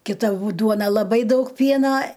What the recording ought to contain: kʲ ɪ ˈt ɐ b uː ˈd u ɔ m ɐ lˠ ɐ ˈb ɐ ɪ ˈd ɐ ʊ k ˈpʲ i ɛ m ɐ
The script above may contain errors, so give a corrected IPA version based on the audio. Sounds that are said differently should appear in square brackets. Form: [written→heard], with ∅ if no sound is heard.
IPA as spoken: kʲ ɪ ˈt ɐ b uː ˈd u ɔ [m→n] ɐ lˠ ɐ ˈb ɐ ɪ ˈd ɐ ʊ k ˈpʲ i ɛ [m→n] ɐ